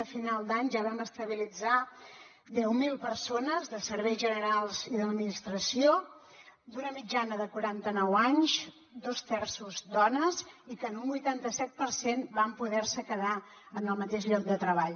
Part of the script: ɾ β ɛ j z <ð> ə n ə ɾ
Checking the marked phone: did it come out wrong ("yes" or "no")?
yes